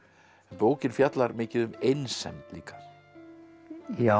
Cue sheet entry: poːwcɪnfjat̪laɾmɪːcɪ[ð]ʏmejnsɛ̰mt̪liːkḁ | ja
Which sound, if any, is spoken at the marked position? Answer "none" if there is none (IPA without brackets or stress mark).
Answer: ð